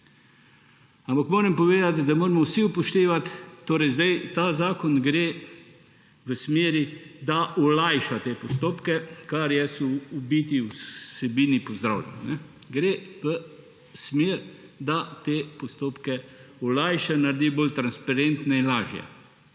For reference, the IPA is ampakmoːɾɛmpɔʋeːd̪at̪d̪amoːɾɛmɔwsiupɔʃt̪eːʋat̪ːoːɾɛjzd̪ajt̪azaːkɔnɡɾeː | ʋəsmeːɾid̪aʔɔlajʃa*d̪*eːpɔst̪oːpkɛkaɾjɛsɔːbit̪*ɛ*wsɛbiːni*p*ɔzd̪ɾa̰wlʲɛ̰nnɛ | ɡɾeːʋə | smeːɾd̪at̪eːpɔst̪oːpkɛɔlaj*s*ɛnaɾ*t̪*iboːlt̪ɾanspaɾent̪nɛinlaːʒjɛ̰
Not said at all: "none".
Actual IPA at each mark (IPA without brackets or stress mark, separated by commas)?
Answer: t̪, i, p, ʃ, d̪